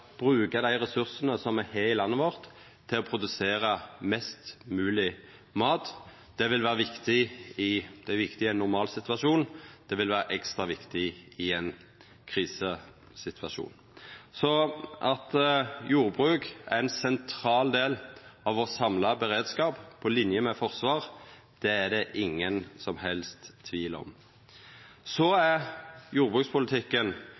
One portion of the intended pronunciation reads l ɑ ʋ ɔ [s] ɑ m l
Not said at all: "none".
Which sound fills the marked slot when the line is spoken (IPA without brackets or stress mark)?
s